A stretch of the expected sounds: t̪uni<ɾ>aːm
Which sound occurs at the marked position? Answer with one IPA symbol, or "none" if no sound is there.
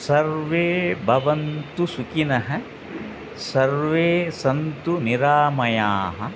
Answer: ɾ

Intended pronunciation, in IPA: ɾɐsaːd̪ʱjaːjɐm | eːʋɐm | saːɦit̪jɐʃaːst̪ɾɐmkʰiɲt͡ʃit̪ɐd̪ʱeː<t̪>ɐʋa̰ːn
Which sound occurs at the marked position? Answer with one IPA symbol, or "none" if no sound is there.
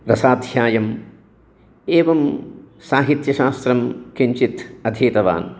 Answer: t̪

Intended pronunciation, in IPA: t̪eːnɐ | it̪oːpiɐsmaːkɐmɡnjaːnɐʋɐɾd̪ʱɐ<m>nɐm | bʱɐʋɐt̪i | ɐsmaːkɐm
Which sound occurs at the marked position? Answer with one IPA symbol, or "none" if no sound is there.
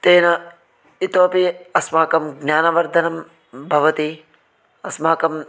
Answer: none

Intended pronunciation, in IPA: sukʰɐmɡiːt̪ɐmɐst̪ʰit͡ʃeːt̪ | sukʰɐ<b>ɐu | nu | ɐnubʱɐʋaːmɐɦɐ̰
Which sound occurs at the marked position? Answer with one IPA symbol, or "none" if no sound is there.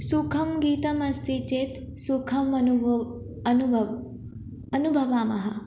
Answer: m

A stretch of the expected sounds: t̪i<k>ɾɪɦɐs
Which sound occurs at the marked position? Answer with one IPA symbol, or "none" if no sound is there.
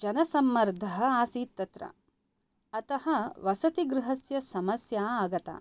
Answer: ɡ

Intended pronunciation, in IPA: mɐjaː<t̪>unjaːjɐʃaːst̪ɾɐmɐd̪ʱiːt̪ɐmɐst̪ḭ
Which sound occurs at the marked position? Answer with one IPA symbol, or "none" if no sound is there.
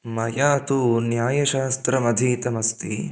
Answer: t̪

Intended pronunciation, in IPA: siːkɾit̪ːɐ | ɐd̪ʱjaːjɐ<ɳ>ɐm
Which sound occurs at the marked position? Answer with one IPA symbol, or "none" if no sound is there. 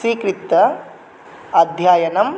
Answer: n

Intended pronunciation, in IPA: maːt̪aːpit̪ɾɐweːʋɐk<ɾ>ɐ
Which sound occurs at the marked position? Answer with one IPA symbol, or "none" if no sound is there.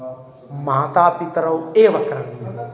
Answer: ɾ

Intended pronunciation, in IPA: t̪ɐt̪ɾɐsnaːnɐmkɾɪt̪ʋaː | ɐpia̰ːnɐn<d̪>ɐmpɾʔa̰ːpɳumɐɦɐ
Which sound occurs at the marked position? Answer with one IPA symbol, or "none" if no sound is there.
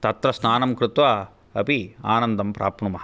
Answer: d̪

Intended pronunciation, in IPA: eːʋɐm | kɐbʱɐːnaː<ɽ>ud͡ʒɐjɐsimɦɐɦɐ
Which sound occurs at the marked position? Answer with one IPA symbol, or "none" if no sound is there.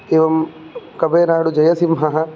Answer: ɽ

